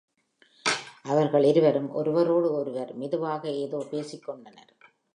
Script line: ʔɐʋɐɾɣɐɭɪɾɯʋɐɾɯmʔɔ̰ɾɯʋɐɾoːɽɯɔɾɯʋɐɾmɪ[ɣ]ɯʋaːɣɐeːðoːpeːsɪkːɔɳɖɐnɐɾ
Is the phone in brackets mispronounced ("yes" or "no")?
yes